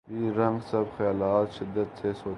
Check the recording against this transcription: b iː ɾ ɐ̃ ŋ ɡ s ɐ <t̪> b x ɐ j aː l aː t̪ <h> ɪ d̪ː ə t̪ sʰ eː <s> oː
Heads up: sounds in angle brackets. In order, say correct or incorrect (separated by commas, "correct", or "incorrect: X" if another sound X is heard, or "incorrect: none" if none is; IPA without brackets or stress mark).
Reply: incorrect: none, incorrect: ʃ, correct